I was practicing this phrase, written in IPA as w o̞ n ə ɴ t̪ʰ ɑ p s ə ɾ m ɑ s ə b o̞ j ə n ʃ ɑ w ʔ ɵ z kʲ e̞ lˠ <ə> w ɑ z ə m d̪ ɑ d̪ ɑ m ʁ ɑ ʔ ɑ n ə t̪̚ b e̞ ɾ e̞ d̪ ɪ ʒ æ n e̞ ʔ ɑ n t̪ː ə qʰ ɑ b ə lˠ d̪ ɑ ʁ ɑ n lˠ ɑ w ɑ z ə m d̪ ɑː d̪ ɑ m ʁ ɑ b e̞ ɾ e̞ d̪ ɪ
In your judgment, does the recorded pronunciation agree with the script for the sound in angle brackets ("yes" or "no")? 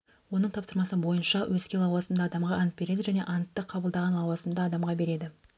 no